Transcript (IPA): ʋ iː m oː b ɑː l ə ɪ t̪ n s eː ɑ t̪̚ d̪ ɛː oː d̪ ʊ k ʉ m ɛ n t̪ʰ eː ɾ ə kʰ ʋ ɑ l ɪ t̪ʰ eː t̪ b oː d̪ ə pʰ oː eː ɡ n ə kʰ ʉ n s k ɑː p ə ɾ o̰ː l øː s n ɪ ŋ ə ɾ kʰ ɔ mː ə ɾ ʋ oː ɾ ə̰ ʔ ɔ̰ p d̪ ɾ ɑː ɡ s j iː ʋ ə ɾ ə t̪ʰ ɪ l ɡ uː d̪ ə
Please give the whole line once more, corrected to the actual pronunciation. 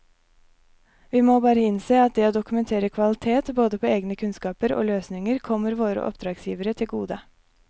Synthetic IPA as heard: ʋ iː m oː b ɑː ɾ ə ɪ n s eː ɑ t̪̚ d̪ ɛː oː d̪ ʊ k ʉ m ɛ n t̪ʰ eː ɾ ə kʰ ʋ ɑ l ɪ t̪ʰ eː t̪ b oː d̪ ə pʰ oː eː ɡ n ə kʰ ʉ n s k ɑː p ə ɾ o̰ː l øː s n ɪ ŋ ə ɾ kʰ ɔ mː ə ɾ ʋ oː ɾ ə̰ ʔ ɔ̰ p d̪ ɾ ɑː ɡ s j iː ʋ ə ɾ ə t̪ʰ ɪ l ɡ uː d̪ ə